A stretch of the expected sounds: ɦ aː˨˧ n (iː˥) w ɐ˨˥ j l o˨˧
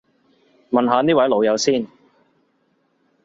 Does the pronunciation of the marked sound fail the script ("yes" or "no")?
no